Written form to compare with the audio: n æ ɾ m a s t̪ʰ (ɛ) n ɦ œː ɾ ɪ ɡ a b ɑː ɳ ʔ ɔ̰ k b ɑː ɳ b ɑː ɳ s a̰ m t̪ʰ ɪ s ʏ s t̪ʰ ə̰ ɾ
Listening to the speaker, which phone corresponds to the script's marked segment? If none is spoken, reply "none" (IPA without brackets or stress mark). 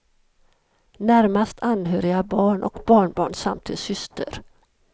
a